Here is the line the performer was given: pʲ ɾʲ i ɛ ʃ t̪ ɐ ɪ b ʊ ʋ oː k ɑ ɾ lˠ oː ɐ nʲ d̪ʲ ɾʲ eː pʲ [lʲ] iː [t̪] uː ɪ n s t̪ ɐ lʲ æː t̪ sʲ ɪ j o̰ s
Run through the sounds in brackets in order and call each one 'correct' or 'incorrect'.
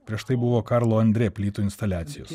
correct, correct

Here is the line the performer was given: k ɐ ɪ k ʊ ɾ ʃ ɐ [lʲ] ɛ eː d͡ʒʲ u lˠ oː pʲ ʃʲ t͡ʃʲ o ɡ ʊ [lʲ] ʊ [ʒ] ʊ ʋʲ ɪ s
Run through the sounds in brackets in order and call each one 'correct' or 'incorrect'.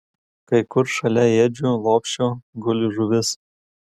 correct, correct, correct

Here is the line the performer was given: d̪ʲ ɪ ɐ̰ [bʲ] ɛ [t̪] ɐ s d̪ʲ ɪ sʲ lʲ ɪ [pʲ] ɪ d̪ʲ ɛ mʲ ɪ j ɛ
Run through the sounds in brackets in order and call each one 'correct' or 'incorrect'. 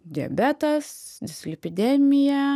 correct, correct, correct

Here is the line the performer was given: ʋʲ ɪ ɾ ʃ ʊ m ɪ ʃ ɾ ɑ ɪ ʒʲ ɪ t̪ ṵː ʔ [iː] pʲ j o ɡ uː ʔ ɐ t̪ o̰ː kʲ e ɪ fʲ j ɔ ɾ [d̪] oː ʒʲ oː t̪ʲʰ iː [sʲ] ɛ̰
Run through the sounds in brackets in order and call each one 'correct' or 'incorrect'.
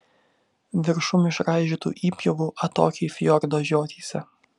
correct, correct, correct

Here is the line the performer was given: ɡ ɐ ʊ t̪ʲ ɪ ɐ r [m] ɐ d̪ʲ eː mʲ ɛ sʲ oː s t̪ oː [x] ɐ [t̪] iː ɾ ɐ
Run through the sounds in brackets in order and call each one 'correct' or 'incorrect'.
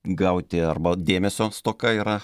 incorrect: b, incorrect: k, incorrect: none

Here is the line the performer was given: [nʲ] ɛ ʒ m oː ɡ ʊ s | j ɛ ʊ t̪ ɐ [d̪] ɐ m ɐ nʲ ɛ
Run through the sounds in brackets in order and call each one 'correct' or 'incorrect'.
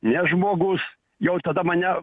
correct, correct

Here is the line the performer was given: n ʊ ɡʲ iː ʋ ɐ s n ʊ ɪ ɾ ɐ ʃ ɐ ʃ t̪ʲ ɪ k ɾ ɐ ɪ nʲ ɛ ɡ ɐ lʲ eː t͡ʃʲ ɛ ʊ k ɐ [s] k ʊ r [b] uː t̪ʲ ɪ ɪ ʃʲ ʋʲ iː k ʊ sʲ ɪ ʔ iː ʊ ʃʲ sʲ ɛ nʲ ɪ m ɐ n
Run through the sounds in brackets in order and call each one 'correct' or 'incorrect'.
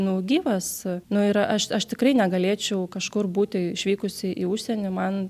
incorrect: ʃ, correct

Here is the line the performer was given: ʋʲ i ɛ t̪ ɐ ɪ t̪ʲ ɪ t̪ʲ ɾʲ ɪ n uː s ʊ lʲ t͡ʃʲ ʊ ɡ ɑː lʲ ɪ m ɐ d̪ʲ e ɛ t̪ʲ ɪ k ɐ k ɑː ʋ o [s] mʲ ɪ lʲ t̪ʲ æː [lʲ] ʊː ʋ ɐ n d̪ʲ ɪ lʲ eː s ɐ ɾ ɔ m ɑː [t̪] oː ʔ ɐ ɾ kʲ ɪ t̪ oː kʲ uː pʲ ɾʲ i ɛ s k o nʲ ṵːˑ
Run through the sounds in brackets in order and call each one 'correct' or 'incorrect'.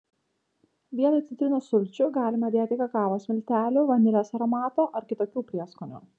correct, correct, correct

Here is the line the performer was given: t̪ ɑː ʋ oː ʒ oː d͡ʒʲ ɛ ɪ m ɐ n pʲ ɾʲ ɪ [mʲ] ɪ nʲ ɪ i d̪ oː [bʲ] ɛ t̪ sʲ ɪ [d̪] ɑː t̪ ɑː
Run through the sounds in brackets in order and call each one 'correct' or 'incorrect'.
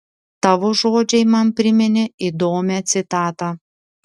correct, incorrect: mʲ, incorrect: t̪

